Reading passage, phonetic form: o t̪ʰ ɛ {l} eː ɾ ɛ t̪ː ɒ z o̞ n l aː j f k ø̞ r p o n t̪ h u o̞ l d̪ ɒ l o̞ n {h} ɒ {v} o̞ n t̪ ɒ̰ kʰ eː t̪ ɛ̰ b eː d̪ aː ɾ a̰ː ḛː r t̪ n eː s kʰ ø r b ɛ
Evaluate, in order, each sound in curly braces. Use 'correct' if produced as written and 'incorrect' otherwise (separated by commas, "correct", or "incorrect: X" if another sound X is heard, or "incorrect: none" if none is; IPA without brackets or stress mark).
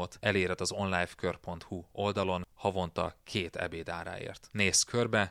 correct, correct, correct